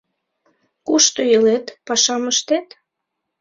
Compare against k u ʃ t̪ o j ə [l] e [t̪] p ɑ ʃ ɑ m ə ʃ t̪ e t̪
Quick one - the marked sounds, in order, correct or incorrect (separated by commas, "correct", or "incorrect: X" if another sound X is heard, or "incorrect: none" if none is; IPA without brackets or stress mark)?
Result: correct, correct